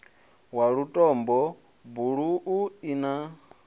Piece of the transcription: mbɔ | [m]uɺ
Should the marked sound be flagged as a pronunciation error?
yes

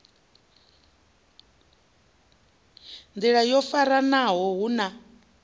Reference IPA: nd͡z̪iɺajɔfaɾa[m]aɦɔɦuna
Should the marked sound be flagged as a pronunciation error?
yes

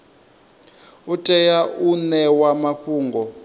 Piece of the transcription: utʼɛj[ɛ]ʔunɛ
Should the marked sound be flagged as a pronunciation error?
yes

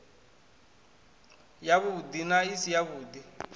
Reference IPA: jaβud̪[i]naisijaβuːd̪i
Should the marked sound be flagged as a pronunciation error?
no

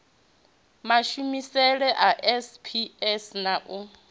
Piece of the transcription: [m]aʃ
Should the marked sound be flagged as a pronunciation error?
no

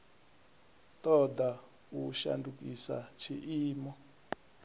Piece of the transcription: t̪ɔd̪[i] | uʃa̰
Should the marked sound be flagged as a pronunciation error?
yes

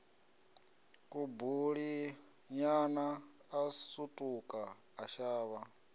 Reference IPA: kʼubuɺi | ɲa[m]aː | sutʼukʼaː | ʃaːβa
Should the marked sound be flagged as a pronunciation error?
yes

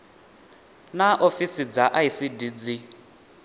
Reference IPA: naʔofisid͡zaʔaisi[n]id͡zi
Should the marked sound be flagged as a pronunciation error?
yes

